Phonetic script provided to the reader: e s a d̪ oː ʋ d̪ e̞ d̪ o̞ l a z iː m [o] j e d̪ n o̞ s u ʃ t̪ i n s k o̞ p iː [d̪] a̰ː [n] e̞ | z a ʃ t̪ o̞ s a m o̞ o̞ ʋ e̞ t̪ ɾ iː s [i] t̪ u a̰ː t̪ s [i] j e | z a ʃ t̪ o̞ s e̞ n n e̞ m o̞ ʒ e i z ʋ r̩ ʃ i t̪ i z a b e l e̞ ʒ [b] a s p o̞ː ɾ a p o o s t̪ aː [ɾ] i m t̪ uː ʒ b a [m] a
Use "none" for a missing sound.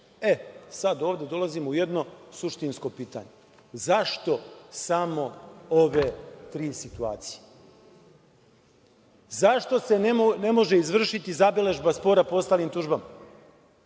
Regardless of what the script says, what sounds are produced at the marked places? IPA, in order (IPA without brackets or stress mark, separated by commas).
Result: u, t̪, ɲ, i, i, b, l, m